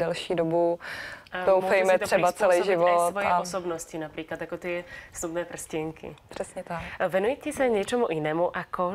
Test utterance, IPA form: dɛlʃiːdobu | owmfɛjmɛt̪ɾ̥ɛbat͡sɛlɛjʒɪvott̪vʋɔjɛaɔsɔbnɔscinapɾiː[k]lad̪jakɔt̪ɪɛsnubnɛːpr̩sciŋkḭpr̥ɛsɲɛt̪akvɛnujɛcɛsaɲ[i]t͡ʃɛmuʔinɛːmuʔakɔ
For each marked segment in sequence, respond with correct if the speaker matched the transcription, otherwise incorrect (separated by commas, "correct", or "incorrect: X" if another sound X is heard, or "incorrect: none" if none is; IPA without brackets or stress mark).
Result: correct, incorrect: ɛ